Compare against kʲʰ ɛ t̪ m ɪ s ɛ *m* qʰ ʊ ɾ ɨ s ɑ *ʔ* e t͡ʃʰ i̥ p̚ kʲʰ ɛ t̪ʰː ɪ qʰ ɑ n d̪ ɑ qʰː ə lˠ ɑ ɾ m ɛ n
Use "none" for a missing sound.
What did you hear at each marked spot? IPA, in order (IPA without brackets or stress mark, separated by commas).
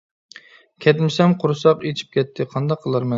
m, q